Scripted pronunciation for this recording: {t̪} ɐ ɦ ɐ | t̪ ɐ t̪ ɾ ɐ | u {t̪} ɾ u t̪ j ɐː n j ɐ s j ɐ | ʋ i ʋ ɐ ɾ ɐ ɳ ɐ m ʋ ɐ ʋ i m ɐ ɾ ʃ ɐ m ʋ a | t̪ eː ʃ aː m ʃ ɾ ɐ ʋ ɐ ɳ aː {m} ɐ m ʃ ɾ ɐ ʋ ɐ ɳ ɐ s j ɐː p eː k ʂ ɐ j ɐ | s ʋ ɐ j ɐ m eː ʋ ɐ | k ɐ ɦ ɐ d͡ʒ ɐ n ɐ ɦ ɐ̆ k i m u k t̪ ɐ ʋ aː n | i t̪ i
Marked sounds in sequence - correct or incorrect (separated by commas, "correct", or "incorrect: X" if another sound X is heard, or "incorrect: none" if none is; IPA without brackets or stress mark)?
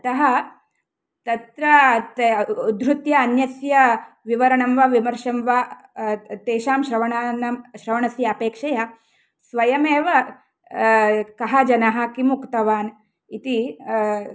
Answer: correct, incorrect: d̪, incorrect: n